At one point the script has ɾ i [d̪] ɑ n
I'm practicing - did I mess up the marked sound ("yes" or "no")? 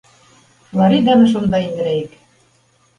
no